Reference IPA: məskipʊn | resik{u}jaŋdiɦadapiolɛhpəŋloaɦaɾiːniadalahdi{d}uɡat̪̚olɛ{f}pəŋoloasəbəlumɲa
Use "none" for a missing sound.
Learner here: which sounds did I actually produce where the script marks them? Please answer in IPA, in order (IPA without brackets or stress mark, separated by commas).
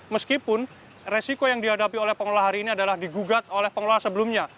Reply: o, ɡ, h